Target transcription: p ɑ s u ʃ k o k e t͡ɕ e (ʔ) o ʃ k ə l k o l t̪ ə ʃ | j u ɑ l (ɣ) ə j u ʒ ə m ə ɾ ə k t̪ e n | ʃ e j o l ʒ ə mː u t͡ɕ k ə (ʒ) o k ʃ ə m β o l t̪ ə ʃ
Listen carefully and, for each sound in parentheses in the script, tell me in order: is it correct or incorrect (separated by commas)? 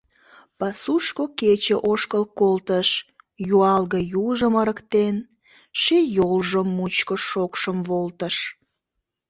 correct, correct, incorrect